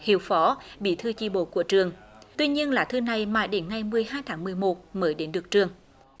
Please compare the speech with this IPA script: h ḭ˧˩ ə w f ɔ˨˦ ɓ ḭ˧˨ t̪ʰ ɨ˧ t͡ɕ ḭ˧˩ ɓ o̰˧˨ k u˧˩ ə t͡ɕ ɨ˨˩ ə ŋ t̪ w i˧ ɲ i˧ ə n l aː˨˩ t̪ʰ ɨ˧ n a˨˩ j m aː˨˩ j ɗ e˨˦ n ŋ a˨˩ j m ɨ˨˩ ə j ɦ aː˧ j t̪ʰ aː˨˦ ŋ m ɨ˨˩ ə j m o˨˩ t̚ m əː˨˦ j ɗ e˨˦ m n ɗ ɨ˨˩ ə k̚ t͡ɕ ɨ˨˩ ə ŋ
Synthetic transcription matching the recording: h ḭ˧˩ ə w f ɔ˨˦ ɓ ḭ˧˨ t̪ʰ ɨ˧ t͡ɕ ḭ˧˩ ɓ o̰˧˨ k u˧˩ ə t͡ɕ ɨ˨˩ ə ŋ t̪ w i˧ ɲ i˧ ə n l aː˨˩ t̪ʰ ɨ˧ n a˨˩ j m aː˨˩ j ɗ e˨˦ n ŋ a˨˩ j m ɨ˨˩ ə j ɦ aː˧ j t̪ʰ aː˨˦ ŋ m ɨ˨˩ ə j m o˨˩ t̚ m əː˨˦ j ɗ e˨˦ n ɗ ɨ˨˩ ə k̚ t͡ɕ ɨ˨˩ ə ŋ